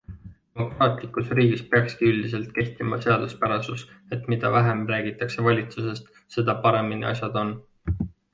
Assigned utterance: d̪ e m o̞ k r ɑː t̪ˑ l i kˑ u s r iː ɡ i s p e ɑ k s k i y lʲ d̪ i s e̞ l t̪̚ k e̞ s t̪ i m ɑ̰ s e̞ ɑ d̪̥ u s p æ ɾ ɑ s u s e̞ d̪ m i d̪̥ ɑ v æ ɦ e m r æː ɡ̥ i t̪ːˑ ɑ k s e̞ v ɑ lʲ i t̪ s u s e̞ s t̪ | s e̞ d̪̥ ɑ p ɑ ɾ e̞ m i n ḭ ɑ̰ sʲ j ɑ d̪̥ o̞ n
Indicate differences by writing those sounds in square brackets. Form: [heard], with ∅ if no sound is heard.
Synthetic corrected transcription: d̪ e m o̞ k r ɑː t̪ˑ l i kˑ u s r iː ɡ i s p e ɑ k s k i y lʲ d̪ i s e̞ l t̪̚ k e̞ [h] t̪ i m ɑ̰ s e̞ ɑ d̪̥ u s p æ ɾ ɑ s u s e̞ [t̪] m i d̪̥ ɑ v æ ɦ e m r æː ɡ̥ i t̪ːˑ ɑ k s e̞ v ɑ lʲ i t̪ s u s e̞ s t̪ | s e̞ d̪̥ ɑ p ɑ ɾ e̞ m i n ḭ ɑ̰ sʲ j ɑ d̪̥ o̞ n